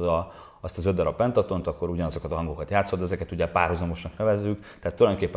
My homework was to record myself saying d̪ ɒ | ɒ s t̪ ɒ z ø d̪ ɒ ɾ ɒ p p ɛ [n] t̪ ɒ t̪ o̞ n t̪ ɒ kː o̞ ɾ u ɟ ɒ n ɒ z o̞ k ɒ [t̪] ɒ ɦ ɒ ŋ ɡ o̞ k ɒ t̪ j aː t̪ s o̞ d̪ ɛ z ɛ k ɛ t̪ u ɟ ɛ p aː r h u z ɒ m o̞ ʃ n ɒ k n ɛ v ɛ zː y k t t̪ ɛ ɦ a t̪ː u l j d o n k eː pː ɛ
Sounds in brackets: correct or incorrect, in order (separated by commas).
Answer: correct, correct